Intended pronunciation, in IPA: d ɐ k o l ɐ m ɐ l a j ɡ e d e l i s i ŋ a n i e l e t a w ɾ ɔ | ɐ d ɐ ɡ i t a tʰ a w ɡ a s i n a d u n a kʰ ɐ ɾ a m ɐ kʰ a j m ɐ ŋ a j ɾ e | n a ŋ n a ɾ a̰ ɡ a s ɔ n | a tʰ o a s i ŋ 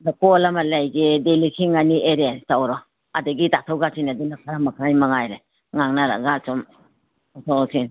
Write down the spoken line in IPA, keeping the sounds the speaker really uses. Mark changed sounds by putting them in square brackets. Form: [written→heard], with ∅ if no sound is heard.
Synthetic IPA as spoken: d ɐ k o l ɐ m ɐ l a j ɡ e d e l i s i ŋ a n i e [l→ɾ] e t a w ɾ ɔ | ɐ d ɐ ɡ i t a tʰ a w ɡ a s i n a d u n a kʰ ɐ ɾ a m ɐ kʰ a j m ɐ ŋ a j ɾ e | [n→ŋ] a ŋ n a ɾ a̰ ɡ a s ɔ [n→m] | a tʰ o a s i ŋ